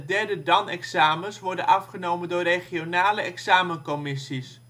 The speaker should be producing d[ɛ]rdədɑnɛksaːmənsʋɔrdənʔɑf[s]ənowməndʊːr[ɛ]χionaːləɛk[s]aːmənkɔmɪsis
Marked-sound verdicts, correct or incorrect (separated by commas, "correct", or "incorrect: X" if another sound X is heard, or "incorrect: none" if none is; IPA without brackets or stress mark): correct, incorrect: χ, incorrect: e, correct